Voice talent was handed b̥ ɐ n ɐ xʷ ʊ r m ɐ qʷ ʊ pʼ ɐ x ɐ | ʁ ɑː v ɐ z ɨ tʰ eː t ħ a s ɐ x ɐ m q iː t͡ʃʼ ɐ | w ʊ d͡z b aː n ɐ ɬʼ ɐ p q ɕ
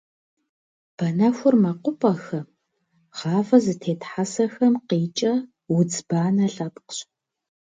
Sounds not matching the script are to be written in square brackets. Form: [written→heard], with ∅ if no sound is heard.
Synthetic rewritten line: b̥ ɐ n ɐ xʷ ʊ r m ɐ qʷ ʊ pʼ ɐ x ɐ | ʁ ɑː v ɐ z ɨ tʰ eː t ħ a s ɐ x ɐ m q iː t͡ʃʼ ɐ | w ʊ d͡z b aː n ɐ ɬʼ ɐ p q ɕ